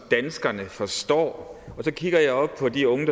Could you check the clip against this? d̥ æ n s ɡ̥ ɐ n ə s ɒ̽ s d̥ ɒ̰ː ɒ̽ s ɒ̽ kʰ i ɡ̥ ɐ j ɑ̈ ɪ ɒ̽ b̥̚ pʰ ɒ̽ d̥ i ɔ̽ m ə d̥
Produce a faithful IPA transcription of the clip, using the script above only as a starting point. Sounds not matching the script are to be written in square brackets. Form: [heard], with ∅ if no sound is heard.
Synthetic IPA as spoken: d̥ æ n s ɡ̥ ɐ n ə [f] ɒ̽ s d̥ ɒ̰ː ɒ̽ s ɒ̽ kʰ i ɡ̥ ɐ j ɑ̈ ɪ ɒ̽ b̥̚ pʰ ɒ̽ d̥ i ɔ̽ [ŋ] ə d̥